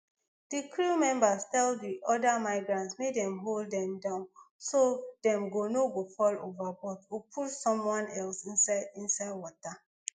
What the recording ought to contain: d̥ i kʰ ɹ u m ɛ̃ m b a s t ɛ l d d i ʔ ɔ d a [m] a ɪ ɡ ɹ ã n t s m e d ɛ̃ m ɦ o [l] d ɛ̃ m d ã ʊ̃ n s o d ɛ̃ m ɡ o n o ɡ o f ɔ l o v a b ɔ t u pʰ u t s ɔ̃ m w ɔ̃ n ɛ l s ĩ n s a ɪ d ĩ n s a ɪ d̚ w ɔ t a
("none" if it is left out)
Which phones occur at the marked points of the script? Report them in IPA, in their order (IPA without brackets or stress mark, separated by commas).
m, l